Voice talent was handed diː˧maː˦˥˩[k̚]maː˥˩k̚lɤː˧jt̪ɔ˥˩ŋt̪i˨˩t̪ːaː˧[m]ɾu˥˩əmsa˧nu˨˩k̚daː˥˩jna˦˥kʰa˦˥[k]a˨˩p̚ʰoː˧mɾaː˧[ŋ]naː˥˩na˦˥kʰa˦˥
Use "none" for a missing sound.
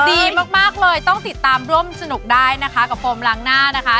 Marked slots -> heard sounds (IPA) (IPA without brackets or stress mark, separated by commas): k̚, m, k, ŋ